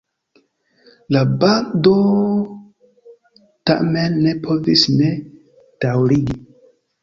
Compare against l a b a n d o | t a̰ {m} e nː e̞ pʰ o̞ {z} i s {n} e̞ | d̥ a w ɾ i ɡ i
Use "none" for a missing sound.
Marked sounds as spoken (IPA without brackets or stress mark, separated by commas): m, v, n